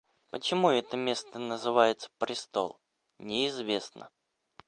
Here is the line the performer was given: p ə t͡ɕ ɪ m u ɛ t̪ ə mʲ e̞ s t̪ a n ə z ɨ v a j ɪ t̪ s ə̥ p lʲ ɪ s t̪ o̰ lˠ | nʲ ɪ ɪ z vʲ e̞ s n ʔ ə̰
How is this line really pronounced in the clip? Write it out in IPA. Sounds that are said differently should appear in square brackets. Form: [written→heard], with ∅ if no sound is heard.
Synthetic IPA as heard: p ə t͡ɕ ɪ m u ɛ t̪ ə mʲ e̞ s t̪ [a→ə] n ə z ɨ v a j ɪ t̪ s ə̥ p [lʲ→ɾʲ] ɪ s t̪ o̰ lˠ | nʲ ɪ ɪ z vʲ e̞ s n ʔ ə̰

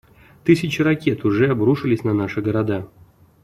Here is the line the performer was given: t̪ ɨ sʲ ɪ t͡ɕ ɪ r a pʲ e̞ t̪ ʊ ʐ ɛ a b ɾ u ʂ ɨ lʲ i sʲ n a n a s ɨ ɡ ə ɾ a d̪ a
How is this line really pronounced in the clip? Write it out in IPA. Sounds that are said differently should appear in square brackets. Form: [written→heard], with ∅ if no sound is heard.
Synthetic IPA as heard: t̪ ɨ sʲ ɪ t͡ɕ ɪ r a [pʲ→kʲ] e̞ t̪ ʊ ʐ ɛ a b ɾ u ʂ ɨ lʲ [i→ɪ] sʲ n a n a [s→ʂ] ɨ ɡ ə ɾ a d̪ a

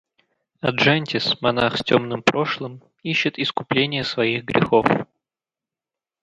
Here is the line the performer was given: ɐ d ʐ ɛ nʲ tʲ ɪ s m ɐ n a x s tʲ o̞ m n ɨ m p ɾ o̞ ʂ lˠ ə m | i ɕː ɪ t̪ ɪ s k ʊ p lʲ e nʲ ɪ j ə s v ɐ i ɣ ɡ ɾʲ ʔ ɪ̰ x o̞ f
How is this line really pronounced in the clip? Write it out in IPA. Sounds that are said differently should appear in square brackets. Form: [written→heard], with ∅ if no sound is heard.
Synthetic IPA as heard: ɐ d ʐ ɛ nʲ tʲ ɪ s m ɐ n a x s tʲ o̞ m n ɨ m p ɾ o̞ ʂ lˠ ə m | i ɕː ɪ t̪ ɪ s k ʊ p lʲ e nʲ ɪ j ə s v ɐ i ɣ ɡ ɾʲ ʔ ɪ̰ x o̞ f

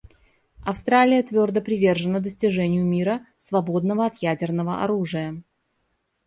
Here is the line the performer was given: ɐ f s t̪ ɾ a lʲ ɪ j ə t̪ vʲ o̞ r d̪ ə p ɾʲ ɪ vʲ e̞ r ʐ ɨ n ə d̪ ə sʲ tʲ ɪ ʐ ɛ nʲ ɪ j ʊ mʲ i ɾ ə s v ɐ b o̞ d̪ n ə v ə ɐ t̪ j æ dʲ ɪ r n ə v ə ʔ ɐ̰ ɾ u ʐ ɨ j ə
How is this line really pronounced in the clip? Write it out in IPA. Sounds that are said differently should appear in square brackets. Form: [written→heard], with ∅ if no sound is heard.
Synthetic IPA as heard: ɐ f s t̪ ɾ a lʲ ɪ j ə t̪ vʲ o̞ r d̪ ə p ɾʲ ɪ vʲ e̞ r ʐ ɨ n ə d̪ ə sʲ tʲ ɪ ʐ ɛ nʲ ɪ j ʊ mʲ i ɾ ə s v ɐ b o̞ d̪ n ə v ə ɐ t̪ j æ dʲ ɪ r n ə v ə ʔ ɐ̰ ɾ u ʐ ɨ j ə

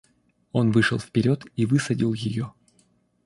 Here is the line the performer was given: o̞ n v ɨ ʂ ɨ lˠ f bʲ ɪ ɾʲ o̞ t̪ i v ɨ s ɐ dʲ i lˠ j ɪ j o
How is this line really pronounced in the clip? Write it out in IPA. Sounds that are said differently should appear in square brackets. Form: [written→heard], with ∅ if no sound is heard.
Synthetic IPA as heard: o̞ n v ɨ ʂ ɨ lˠ f [bʲ→pʲ] ɪ ɾʲ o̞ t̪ i v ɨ s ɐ dʲ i lˠ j ɪ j o

